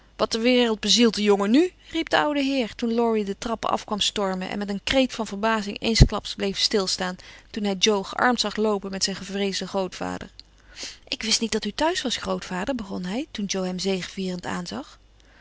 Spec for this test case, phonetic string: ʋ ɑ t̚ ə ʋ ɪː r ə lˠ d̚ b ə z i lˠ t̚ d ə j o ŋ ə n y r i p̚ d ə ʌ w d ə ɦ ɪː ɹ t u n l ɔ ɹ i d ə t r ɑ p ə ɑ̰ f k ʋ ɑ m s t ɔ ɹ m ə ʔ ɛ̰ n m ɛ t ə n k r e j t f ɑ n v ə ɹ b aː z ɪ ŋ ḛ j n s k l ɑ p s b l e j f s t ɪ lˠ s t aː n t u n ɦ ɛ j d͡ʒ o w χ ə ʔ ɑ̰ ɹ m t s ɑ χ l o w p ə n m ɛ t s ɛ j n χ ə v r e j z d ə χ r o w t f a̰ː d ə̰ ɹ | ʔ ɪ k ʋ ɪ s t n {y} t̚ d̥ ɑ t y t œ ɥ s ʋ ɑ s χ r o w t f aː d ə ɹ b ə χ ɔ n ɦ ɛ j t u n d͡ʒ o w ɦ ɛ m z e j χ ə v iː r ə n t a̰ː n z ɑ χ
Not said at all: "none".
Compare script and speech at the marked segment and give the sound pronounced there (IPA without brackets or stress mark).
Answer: i